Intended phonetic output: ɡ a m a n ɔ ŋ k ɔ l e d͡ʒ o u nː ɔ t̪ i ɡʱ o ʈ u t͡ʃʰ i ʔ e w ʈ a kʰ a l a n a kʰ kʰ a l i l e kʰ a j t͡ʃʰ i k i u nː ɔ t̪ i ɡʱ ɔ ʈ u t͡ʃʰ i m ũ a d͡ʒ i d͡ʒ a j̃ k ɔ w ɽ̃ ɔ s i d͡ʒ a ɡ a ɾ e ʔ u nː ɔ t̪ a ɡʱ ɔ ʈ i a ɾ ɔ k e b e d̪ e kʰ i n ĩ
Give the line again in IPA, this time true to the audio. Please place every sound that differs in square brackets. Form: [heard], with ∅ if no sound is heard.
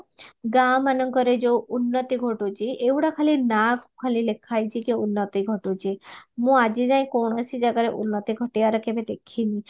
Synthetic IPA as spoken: ɡ a m a n ɔ ŋ k ɔ [ɾ] e d͡ʒ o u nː ɔ t̪ i ɡʱ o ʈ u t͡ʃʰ i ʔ e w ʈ a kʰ a l [i] n a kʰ kʰ a l i l e kʰ a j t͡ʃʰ i k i u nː ɔ t̪ i ɡʱ ɔ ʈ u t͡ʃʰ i m ũ a d͡ʒ i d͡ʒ a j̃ k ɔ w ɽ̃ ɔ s i d͡ʒ a ɡ a ɾ e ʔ u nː ɔ t̪ [i] ɡʱ ɔ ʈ i a ɾ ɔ k e b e d̪ e kʰ i n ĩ